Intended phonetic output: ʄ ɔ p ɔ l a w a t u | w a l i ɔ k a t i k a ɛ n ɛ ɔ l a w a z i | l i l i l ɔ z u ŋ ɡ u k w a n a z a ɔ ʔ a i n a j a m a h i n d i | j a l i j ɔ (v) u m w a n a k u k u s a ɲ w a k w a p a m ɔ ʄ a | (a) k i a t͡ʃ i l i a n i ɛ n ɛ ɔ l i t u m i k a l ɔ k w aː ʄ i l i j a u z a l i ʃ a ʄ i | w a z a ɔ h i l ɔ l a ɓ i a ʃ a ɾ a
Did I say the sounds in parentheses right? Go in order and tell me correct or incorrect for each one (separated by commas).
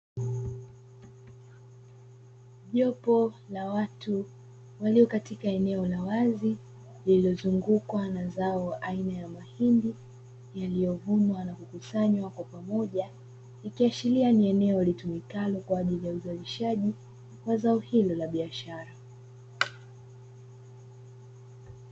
correct, incorrect